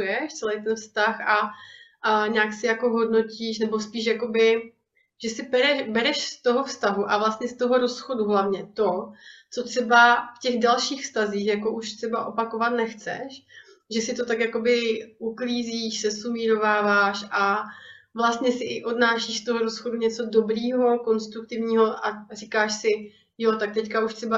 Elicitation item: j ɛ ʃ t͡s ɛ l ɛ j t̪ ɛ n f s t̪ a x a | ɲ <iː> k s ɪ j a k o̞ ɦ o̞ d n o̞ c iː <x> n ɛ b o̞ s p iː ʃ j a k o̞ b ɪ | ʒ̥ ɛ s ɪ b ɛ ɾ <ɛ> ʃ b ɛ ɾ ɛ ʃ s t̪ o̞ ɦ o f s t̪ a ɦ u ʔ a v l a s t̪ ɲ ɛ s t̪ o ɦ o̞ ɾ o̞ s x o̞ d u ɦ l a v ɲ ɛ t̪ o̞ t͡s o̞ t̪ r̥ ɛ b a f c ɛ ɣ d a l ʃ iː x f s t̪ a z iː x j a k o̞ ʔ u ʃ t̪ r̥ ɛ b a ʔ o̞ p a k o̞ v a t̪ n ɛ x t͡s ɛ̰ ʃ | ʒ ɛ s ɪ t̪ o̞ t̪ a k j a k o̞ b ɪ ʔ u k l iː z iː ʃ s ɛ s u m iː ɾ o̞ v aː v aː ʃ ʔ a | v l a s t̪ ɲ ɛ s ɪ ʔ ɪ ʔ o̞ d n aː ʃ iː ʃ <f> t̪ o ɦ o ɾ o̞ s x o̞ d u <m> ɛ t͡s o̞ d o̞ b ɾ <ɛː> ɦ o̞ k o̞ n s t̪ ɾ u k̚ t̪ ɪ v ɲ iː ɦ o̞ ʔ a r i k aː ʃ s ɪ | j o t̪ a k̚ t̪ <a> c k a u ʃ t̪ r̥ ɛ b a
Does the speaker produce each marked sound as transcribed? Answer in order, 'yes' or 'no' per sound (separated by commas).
no, no, yes, no, no, no, no